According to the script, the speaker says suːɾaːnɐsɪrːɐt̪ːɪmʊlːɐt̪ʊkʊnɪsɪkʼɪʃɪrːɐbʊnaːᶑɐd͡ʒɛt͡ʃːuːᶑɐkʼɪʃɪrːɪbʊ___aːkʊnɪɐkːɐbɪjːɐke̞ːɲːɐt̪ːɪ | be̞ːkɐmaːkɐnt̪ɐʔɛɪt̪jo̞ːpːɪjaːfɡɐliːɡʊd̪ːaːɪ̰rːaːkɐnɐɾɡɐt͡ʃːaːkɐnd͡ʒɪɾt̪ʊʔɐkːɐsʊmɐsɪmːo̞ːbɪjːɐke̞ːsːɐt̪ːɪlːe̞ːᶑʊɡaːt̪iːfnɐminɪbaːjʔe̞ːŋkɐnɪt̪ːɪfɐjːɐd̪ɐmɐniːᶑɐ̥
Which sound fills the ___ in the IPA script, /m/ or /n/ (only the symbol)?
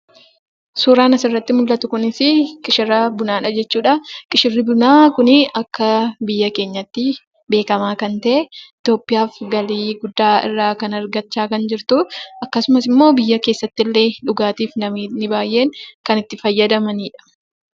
n